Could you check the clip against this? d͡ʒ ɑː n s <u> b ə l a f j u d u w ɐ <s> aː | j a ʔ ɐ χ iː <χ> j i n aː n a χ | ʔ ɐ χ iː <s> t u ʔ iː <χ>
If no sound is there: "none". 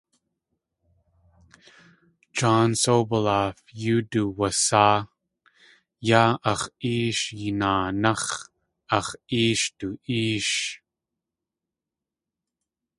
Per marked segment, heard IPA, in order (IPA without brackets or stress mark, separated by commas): o, s, ʃ, ʃ, ʃ